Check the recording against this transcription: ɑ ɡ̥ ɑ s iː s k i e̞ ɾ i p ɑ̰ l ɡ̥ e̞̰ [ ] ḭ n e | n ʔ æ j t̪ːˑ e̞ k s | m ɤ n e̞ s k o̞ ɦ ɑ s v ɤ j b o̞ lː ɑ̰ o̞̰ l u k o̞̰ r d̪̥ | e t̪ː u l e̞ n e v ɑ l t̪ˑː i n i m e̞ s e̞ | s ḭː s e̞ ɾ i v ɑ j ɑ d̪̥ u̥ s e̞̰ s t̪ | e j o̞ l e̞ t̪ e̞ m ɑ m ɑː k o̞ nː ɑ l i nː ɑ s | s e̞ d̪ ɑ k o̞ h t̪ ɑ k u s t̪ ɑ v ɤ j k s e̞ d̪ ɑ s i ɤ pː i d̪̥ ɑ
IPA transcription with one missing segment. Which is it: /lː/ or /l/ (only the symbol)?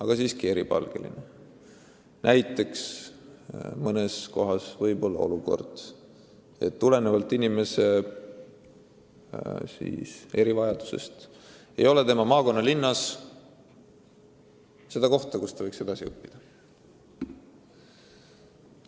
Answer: l